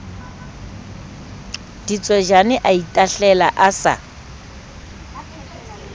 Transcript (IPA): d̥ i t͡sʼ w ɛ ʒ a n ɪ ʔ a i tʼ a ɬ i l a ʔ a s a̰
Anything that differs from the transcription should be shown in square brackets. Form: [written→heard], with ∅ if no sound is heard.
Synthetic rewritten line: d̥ i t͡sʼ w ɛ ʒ a n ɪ ʔ a i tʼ a ɬ [i→ɛ] l a ʔ a s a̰